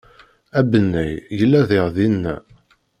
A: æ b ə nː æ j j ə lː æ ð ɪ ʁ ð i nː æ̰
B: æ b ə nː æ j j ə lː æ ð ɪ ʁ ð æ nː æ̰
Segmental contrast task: A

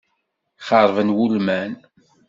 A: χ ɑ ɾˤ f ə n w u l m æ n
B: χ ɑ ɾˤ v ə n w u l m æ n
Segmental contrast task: B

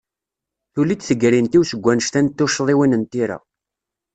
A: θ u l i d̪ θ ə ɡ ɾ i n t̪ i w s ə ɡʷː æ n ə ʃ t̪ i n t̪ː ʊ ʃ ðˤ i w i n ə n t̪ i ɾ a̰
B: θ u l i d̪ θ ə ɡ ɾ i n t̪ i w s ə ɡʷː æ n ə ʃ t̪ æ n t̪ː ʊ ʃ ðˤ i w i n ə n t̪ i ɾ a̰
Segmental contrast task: B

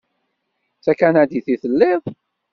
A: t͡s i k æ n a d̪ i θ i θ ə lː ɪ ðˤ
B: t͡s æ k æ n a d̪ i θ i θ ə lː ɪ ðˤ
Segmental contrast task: B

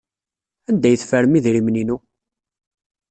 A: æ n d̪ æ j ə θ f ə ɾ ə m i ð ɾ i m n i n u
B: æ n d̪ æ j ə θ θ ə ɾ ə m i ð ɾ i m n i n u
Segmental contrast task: A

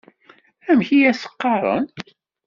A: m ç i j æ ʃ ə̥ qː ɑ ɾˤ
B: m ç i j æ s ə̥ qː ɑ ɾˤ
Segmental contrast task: B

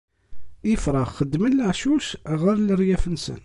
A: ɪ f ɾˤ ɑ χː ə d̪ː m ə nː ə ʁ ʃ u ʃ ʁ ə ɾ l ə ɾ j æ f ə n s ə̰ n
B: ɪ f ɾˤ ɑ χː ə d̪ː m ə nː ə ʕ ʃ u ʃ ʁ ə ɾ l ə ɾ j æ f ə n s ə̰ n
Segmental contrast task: B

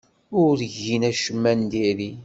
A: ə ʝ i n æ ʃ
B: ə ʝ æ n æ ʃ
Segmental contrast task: A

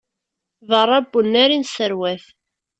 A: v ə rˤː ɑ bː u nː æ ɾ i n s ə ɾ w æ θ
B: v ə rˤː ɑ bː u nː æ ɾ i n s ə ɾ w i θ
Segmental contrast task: A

